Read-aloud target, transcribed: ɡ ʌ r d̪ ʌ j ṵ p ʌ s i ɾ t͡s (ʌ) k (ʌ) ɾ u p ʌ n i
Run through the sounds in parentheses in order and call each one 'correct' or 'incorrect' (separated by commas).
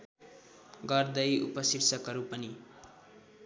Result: correct, correct